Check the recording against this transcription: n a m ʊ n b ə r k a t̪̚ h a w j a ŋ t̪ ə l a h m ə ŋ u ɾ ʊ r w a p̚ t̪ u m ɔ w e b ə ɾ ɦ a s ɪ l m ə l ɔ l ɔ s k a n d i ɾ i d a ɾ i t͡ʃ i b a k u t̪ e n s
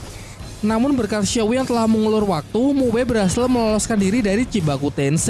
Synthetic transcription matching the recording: n a m ʊ n b ə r k a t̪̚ ʃ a w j a ŋ t̪ ə l a h m ə ŋ u l ʊ r w a k̚ t̪ u m u w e b ə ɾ ɦ a s ɪ l m ə l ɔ l ɔ s k a n d i ɾ i d a ɾ i t͡ʃ i b a k u t̪ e n s